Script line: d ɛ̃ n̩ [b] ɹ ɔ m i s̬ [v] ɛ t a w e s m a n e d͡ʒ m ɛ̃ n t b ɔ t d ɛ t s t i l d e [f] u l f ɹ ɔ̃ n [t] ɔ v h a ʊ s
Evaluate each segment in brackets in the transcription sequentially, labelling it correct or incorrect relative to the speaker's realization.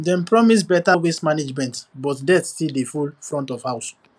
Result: incorrect: p, incorrect: b, correct, correct

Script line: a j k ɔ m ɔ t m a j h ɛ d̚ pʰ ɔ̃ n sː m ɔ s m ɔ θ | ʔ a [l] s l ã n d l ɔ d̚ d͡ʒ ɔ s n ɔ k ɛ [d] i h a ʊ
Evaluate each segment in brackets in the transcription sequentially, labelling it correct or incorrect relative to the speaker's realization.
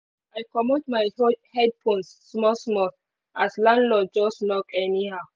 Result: incorrect: none, incorrect: n

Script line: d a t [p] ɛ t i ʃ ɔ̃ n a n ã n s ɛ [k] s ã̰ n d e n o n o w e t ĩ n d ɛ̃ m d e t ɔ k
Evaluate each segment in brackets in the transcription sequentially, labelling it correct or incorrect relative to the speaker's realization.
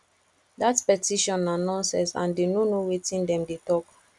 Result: correct, incorrect: none

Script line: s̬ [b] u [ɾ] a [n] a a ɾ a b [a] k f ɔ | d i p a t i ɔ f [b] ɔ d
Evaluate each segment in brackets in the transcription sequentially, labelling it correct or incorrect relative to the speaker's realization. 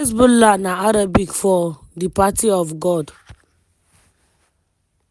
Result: correct, incorrect: l, correct, incorrect: i, incorrect: ɡ

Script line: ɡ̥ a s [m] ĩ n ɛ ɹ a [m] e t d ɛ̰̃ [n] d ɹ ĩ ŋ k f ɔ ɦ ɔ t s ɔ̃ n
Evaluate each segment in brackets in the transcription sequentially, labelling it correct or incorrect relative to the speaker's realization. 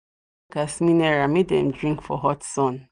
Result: correct, correct, incorrect: m

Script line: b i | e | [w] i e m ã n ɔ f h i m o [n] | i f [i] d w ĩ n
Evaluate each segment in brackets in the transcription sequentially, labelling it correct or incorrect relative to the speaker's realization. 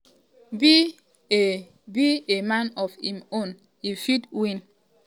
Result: incorrect: b, correct, correct

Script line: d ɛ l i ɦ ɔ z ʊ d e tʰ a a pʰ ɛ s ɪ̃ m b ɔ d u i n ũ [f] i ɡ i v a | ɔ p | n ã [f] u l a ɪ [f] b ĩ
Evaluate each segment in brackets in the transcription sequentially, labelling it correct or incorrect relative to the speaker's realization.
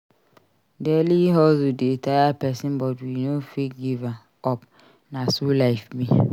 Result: correct, incorrect: s, correct

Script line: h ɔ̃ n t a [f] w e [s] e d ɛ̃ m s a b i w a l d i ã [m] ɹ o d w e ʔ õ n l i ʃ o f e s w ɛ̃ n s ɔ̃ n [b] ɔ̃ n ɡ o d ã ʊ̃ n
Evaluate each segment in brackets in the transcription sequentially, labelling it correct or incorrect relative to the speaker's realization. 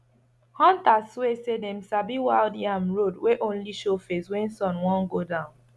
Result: incorrect: s, correct, correct, incorrect: w

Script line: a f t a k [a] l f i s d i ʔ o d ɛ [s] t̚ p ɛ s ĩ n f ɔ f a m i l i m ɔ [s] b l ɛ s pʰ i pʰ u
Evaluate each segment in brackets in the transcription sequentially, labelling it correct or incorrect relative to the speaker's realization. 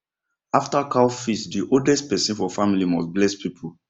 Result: correct, correct, correct

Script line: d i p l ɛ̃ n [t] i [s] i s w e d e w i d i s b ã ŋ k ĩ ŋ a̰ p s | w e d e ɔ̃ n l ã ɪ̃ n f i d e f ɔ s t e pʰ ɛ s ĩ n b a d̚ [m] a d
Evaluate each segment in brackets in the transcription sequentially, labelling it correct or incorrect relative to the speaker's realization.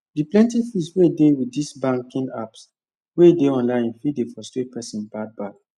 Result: correct, incorrect: f, incorrect: b

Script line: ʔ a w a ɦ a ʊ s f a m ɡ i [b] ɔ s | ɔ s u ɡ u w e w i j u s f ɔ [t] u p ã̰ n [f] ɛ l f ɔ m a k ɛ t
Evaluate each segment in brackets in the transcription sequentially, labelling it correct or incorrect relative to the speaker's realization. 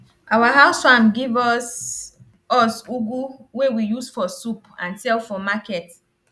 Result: incorrect: v, incorrect: s, incorrect: s

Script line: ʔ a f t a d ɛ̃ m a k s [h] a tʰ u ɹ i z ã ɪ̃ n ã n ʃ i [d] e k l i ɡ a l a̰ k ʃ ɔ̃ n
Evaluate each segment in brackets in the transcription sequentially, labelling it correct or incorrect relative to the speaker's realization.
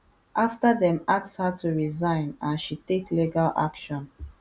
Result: correct, incorrect: t

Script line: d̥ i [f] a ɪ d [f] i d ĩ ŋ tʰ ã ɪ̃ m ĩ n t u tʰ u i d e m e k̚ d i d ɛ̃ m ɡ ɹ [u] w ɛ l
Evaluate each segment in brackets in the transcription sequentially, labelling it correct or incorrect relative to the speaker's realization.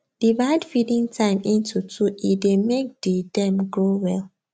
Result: incorrect: v, correct, incorrect: o

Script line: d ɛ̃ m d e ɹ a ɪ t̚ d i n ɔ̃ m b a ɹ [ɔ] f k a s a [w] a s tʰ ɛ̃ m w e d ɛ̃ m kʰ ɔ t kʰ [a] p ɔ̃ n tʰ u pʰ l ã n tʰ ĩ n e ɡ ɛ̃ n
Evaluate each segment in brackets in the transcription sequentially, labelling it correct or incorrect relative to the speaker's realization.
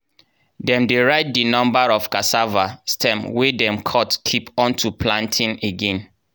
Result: correct, incorrect: v, incorrect: i

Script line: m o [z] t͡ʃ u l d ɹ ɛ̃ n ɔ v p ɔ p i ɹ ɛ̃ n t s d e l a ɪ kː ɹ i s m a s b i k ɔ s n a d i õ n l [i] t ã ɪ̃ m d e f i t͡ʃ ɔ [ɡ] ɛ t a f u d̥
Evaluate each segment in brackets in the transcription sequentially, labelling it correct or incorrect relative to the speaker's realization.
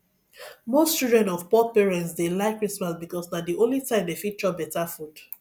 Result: incorrect: s, correct, incorrect: b

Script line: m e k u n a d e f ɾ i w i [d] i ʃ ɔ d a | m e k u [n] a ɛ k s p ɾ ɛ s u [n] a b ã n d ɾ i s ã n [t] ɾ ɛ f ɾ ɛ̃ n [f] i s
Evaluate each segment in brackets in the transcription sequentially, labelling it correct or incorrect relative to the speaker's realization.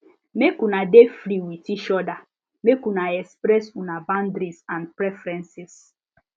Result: incorrect: t, correct, correct, incorrect: p, incorrect: s

